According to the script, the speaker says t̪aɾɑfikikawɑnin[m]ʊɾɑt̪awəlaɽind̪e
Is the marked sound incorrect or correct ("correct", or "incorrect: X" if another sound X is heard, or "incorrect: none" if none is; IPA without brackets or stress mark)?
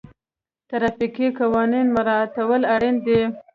correct